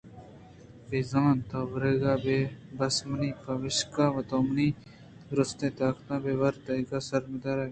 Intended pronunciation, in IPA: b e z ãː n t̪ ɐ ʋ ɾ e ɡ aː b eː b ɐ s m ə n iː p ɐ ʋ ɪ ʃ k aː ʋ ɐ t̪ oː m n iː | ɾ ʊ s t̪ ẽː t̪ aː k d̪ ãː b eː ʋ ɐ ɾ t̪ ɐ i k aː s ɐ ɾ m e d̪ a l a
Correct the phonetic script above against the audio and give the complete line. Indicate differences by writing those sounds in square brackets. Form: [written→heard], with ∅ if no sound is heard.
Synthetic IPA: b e z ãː n t̪ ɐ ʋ ɾ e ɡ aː b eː b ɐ s m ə n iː p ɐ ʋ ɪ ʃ k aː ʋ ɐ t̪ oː m n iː | ɾ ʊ s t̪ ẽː t̪ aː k [d̪→t̪] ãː b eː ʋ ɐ ɾ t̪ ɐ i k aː s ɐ ɾ m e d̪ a [l→ɾ] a